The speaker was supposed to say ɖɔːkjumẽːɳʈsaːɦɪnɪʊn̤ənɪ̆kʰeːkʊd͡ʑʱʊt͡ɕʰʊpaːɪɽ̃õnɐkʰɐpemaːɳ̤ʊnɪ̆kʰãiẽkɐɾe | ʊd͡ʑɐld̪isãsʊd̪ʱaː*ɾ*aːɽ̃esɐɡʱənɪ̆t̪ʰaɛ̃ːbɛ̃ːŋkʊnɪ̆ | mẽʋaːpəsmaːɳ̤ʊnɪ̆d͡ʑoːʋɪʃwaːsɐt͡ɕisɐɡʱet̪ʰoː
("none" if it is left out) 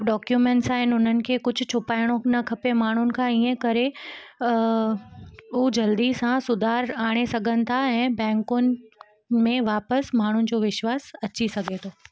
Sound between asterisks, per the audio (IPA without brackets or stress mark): ɾ